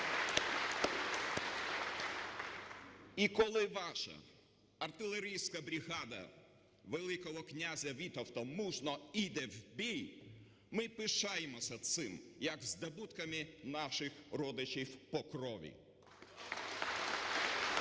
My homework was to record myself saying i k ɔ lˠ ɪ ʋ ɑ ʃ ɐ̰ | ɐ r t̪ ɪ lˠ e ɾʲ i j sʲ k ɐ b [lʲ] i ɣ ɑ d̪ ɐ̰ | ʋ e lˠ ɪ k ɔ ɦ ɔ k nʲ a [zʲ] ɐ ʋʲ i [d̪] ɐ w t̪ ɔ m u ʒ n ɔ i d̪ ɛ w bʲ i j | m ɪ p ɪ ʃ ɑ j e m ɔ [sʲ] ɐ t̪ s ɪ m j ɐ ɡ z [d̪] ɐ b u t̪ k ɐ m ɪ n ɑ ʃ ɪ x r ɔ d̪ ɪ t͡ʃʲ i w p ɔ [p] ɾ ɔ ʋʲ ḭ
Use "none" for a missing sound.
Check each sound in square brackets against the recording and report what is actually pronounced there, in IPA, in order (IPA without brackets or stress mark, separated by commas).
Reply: ɾʲ, zʲ, t̪, sʲ, d̪, k